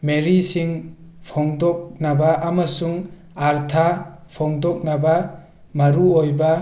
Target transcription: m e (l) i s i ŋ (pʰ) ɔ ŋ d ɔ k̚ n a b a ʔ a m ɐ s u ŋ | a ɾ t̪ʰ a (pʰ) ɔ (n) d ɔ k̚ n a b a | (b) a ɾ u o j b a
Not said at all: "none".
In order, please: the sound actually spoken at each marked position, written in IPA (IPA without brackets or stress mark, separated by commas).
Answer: ɾ, pʰ, pʰ, ŋ, m